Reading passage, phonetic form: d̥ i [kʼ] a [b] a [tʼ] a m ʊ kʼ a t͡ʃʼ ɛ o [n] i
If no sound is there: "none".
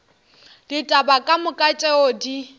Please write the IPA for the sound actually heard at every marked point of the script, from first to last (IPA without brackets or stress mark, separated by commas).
tʼ, b, kʼ, d